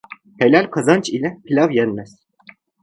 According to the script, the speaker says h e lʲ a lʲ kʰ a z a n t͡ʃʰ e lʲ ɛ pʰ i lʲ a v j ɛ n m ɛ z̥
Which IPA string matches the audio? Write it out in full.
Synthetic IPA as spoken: h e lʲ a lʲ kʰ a z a n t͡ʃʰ i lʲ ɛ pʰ i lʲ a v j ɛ n m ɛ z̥